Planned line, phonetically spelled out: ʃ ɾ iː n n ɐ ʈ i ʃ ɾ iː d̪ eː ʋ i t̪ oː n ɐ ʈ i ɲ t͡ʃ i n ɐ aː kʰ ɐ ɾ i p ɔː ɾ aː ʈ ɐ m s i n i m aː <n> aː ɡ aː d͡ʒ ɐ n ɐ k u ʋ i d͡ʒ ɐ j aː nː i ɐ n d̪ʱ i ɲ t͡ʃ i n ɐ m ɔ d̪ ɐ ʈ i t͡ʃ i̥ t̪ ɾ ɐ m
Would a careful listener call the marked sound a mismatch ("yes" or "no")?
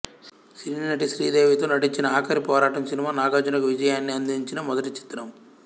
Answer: no